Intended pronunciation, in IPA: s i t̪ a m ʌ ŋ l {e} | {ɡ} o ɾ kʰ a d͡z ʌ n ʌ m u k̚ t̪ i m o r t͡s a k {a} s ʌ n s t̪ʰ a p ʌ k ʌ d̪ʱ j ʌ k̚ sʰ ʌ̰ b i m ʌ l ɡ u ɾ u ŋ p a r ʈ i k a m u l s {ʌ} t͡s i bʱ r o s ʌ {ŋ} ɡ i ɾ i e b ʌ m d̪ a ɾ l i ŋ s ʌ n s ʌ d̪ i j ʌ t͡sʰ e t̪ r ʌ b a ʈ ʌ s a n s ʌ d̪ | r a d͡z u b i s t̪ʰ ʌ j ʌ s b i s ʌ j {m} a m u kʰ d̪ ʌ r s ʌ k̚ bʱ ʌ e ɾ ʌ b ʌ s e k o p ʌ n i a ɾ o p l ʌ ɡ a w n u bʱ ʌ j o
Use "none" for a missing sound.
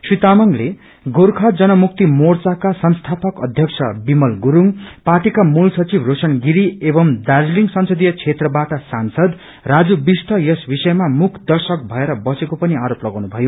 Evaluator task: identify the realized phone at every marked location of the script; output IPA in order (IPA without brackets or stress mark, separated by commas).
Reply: e, ɡ, a, ʌ, n, m